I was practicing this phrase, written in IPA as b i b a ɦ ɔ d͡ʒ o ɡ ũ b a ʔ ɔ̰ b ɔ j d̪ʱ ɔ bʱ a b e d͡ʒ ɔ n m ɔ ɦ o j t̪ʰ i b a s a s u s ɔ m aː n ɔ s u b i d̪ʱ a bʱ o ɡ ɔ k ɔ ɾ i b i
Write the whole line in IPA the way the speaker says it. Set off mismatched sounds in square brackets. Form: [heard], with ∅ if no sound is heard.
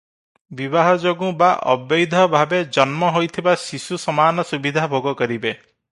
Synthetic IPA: b i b a ɦ ɔ d͡ʒ o ɡ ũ b a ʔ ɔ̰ b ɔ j d̪ʱ ɔ bʱ a b e d͡ʒ ɔ n m ɔ ɦ o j t̪ʰ i b a s [i] s u s ɔ m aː n ɔ s u b i d̪ʱ a bʱ o ɡ ɔ k ɔ ɾ i b [e]